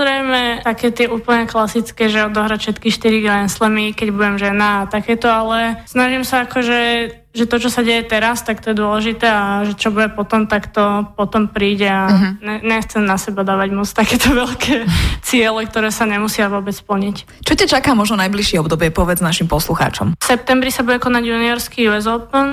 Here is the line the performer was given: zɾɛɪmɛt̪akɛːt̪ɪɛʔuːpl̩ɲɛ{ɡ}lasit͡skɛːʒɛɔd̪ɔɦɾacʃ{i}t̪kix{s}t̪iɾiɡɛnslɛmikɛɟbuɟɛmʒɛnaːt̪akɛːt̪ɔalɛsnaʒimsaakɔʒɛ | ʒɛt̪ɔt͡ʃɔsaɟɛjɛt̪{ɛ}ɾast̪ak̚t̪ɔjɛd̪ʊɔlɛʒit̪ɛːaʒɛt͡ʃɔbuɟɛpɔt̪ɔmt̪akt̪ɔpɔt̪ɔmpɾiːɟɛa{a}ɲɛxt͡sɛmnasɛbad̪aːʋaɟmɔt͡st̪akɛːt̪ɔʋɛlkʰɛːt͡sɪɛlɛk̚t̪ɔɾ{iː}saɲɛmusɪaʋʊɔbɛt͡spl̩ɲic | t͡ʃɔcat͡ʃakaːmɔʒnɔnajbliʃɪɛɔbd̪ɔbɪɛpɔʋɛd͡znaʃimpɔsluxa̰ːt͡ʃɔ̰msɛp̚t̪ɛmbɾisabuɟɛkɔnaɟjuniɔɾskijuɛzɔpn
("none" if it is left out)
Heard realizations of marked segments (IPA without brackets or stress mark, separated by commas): k, ɛ, ʃ, ɛ, ɛ, ɛː